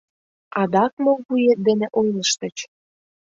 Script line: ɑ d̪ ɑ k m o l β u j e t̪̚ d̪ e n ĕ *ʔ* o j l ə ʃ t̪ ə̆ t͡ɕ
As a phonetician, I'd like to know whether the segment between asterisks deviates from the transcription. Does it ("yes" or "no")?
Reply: no